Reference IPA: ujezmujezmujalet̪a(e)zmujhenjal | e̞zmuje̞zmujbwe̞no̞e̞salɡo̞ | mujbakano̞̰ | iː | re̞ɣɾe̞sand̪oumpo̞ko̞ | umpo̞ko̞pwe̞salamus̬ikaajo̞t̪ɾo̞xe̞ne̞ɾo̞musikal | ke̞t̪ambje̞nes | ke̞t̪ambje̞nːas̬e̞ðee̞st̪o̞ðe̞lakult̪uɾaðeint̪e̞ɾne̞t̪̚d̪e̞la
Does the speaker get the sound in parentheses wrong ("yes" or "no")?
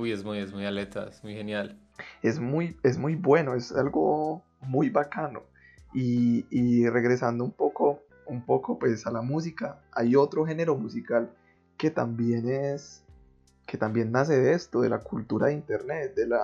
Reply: no